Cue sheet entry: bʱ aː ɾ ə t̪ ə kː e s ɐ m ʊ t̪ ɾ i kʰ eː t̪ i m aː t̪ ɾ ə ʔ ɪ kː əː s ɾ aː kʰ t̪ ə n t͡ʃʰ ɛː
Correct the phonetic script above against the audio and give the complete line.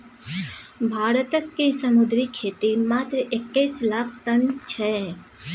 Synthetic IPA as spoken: bʱ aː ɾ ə t̪ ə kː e s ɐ m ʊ d̪ ɾ i kʰ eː t̪ i m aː t̪ ɾ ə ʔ ɪ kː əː s l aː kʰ t̪ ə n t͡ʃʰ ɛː